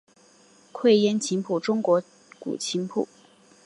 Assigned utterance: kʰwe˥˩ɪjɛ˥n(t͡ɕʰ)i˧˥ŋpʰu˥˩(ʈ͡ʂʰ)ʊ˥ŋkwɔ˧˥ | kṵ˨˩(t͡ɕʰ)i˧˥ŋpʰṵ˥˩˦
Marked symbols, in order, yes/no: yes, no, yes

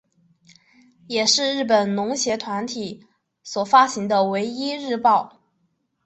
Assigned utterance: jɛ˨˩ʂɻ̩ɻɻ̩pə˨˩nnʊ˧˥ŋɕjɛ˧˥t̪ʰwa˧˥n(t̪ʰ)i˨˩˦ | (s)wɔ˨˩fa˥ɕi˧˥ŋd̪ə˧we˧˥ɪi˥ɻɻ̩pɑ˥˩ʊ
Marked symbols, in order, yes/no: yes, yes

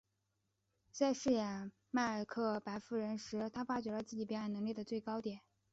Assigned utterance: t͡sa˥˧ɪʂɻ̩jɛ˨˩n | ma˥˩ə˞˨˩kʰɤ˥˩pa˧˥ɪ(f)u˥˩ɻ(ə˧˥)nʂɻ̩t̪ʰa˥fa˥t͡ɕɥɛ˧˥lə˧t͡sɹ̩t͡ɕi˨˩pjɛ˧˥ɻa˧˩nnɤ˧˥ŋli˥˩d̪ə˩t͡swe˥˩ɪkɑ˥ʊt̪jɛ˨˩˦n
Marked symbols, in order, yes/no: yes, yes

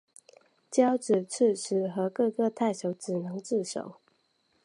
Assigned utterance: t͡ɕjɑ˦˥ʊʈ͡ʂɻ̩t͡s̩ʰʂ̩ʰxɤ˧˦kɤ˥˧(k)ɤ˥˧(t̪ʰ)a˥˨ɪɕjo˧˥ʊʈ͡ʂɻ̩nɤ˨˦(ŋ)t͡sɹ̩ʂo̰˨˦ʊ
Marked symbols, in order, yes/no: yes, yes, yes

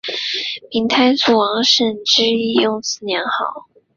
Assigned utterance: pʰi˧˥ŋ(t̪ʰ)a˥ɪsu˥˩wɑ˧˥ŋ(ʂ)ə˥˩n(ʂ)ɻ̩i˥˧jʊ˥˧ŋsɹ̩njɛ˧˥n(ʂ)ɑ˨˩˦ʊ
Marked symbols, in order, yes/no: yes, yes, no, no

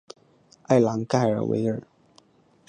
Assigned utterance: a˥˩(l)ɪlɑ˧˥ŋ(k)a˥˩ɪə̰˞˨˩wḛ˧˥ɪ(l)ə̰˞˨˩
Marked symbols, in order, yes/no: no, yes, no

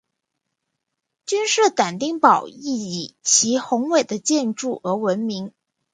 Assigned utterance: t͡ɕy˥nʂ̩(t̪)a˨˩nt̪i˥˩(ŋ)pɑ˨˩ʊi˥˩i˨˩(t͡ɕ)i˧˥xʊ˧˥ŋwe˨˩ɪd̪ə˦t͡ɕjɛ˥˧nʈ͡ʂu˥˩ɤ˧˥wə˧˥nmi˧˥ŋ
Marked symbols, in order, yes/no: yes, yes, no

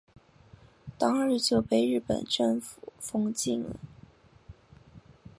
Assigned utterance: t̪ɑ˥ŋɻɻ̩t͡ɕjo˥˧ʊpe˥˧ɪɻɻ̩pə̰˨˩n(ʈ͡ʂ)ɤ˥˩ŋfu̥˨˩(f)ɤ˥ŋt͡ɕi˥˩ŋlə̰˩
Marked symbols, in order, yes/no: yes, yes

